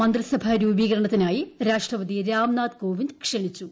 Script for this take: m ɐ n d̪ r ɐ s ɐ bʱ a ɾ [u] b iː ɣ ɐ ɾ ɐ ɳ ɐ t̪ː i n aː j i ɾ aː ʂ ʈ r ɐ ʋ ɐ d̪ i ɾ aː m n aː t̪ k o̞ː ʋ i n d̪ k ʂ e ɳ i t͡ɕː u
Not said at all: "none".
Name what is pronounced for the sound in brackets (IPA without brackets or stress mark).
uː